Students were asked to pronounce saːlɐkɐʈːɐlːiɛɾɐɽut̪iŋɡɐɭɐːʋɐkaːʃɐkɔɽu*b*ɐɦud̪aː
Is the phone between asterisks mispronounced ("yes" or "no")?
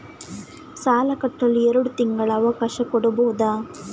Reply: no